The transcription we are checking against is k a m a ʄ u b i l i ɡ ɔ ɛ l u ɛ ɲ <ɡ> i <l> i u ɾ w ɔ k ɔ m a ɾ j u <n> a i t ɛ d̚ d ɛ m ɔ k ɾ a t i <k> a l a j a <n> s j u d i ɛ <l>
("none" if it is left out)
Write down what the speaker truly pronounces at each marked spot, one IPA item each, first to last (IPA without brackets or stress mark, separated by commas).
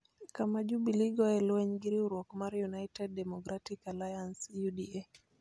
ɡ, ɾ, n, k, n, none